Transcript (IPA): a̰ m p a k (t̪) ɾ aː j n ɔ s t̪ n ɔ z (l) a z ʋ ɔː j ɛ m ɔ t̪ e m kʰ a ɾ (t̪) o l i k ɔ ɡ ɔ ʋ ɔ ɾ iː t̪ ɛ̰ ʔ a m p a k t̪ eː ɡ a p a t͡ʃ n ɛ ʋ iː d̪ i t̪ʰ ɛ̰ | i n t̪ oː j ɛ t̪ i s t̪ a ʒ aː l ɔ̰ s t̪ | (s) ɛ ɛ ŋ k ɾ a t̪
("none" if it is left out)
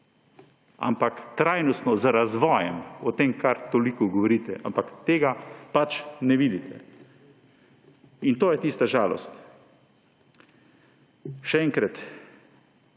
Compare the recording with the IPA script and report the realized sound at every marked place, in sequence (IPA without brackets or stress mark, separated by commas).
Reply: t̪, ɾ, t̪, ʃ